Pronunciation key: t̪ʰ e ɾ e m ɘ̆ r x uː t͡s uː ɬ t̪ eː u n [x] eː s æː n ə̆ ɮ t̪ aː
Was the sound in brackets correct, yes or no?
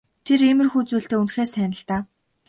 yes